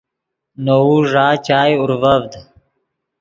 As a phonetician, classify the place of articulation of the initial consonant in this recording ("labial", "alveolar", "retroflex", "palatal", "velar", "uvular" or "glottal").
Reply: alveolar